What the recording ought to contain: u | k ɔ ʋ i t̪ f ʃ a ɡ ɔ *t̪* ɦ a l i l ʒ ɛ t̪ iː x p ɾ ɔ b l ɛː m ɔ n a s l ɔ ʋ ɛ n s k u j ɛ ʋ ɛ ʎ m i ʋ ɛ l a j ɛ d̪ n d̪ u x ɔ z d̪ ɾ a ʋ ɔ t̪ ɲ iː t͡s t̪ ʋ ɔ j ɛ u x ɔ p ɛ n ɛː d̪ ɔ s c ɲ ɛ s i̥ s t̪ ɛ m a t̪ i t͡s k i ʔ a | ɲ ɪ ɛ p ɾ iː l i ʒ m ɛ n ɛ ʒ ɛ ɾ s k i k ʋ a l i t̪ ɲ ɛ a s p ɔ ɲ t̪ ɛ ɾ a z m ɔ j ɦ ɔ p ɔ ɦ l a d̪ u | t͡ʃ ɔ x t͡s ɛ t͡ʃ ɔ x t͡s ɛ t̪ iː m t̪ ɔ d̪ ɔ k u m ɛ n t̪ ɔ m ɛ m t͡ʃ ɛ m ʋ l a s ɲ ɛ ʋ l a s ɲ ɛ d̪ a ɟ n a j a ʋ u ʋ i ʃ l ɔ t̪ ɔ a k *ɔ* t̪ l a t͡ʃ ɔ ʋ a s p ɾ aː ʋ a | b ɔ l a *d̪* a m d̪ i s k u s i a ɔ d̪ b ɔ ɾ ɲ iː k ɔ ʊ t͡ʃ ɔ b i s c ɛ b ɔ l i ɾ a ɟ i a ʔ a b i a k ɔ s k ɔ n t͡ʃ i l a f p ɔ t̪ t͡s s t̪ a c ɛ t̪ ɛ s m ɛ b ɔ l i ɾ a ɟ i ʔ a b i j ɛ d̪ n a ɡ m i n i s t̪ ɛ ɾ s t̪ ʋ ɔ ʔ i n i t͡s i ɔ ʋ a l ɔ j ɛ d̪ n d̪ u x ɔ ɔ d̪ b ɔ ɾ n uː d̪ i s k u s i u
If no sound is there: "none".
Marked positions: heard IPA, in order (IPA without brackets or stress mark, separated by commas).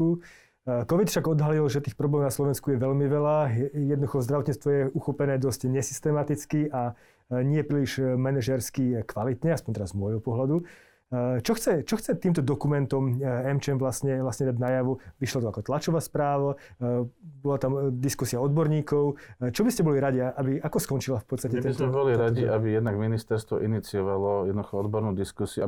d̪, ɔ, t̪